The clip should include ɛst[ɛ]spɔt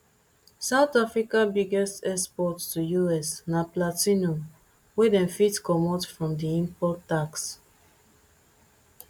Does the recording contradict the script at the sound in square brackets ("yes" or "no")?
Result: no